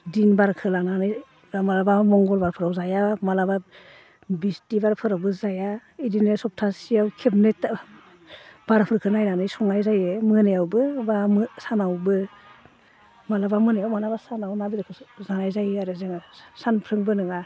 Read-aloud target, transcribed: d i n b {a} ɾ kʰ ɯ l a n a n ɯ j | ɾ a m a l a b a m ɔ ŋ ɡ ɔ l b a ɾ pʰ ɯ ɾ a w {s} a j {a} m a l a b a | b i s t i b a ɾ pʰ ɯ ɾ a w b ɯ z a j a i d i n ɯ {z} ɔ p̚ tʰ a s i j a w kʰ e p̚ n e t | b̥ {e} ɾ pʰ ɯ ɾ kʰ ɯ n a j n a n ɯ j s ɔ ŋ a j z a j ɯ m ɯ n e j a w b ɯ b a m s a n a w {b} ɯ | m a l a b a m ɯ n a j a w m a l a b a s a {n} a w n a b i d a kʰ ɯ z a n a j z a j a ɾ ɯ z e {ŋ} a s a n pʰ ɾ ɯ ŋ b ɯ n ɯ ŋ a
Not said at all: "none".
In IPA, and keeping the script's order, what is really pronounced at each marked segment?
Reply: a, z, a, s, a, b, n, ŋ

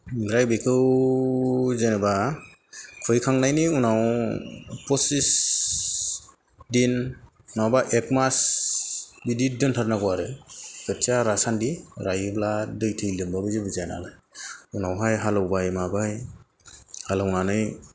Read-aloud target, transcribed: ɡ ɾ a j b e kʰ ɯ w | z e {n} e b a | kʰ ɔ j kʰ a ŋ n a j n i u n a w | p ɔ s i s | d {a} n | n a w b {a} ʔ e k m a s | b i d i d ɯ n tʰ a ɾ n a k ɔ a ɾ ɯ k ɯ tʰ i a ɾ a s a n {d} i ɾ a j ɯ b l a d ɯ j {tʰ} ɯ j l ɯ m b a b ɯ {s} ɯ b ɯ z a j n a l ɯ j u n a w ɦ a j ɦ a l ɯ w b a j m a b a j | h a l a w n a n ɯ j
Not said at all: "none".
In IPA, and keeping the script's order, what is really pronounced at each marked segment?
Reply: n, i, a, d, tʰ, z

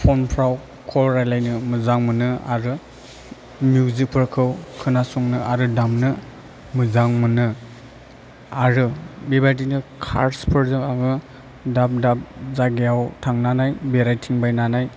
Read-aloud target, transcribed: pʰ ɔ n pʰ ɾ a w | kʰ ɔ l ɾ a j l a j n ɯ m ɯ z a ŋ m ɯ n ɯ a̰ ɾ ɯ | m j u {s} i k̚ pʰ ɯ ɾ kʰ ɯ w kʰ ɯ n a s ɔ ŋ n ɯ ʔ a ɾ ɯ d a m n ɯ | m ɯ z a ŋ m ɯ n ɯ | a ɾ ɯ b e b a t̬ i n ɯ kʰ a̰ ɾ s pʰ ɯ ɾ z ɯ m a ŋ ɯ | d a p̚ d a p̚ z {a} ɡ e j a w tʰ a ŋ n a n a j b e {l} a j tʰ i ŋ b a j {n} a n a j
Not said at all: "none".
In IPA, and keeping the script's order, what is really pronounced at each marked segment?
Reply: z, a, ɾ, n

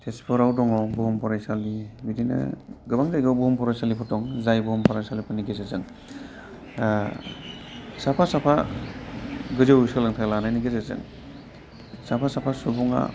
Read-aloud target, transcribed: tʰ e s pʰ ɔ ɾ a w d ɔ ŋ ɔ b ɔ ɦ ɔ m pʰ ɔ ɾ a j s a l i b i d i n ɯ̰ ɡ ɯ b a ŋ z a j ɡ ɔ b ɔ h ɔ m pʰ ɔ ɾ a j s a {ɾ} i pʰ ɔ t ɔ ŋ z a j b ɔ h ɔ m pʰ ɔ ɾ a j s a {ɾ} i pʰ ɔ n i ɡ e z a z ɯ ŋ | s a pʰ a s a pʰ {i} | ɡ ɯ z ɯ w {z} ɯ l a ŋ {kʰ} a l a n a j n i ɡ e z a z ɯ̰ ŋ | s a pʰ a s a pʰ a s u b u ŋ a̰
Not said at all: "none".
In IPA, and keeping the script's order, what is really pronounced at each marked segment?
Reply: l, l, a, s, tʰ

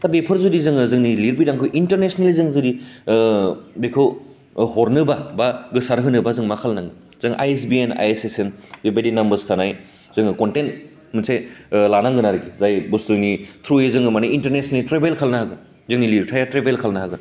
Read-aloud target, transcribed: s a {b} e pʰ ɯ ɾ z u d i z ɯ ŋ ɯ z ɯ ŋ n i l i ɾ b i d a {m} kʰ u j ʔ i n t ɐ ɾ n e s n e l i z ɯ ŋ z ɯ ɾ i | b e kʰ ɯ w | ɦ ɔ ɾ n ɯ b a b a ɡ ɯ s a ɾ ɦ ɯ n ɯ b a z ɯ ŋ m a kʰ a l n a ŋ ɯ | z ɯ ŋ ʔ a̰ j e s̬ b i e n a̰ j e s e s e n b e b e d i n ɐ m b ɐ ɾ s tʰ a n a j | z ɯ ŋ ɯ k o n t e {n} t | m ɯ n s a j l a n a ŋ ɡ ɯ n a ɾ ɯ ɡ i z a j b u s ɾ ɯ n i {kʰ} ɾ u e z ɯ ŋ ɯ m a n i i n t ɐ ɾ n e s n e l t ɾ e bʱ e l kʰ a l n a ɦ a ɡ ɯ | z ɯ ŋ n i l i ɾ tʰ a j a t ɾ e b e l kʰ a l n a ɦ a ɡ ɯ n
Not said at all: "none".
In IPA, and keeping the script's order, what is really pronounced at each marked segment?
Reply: b, ŋ, n, tʰ

